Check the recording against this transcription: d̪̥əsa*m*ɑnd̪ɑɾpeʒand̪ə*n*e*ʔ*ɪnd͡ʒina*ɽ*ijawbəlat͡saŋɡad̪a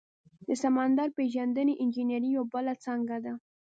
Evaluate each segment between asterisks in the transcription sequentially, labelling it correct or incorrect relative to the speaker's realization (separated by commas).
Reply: correct, correct, correct, incorrect